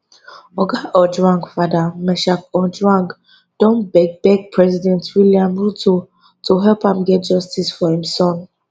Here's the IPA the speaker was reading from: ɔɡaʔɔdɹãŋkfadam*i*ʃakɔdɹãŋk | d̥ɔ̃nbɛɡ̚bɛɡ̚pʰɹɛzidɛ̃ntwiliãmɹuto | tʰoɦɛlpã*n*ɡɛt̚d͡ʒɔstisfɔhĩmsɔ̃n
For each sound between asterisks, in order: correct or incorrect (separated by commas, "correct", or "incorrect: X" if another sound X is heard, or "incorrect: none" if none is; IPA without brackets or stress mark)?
incorrect: ɛ, incorrect: m